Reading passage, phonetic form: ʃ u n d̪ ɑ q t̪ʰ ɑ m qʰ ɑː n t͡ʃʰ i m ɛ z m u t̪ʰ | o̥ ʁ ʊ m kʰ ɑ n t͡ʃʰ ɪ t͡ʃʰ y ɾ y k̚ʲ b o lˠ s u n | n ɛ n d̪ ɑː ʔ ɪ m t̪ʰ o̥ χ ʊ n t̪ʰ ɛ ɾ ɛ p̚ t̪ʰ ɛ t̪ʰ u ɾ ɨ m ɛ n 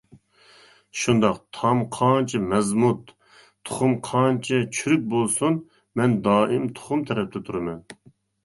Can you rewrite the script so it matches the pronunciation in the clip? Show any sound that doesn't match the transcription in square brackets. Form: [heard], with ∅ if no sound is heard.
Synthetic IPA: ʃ u n d̪ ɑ q t̪ʰ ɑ m qʰ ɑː n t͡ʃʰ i m ɛ z m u t̪ʰ | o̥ [χ] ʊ m [qʰ] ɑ n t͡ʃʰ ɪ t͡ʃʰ y ɾ y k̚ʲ b o lˠ s u n | [m] ɛ n d̪ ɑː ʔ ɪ m t̪ʰ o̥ χ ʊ [m] t̪ʰ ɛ ɾ ɛ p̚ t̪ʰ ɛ t̪ʰ u ɾ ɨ m ɛ n